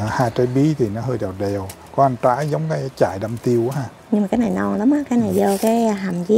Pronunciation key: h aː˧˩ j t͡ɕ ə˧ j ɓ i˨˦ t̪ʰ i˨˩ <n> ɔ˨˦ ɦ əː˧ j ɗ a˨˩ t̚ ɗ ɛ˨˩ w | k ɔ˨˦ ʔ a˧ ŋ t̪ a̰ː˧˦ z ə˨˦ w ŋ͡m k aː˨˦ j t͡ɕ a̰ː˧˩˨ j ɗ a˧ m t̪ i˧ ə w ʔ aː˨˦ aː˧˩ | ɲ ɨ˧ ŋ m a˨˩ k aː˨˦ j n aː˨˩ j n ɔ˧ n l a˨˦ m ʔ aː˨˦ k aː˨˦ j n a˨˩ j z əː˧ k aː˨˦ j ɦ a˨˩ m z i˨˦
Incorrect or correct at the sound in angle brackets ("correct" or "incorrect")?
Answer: correct